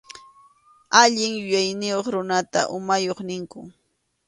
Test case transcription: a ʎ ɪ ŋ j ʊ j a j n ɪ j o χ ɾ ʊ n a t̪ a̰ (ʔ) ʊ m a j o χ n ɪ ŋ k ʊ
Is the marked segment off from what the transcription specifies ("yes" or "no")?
no